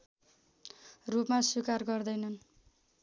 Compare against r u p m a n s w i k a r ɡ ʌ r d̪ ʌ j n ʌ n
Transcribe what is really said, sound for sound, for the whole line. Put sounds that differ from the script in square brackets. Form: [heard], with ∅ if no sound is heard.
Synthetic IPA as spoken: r u p m a [∅] s w i k a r ɡ ʌ r d̪ ʌ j n ʌ n